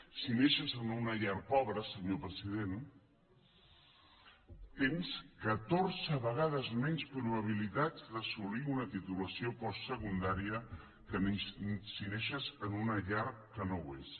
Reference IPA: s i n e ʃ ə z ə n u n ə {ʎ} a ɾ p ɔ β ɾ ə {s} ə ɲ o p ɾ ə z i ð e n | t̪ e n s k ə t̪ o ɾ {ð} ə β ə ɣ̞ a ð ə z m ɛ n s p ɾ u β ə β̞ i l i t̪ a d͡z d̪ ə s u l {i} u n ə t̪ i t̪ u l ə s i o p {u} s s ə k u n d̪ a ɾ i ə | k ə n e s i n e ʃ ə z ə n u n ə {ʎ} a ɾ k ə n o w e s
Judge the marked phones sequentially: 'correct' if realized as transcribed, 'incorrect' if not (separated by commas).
correct, correct, incorrect, correct, incorrect, correct